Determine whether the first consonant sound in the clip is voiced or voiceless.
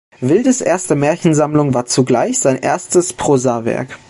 voiced